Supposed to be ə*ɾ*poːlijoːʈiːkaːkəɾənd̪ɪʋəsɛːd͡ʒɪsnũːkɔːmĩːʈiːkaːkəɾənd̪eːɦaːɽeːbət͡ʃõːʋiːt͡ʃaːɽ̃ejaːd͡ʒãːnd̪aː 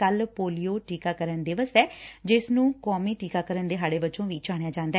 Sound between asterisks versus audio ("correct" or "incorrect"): incorrect